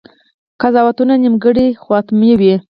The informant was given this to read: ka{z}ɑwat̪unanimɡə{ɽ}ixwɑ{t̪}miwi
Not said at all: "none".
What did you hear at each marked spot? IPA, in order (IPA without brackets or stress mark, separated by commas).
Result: z, ɽ, t̪